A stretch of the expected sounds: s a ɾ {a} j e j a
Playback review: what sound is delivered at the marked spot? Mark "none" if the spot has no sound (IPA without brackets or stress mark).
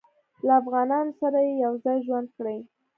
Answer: a